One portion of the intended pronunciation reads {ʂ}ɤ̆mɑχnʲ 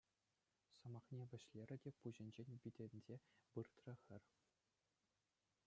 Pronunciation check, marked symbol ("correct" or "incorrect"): incorrect